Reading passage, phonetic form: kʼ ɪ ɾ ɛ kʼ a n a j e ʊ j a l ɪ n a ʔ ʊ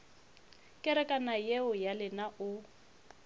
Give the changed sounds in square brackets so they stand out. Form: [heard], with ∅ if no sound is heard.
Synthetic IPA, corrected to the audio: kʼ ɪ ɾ ɛ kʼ a n a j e ʊ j a l ɪ n a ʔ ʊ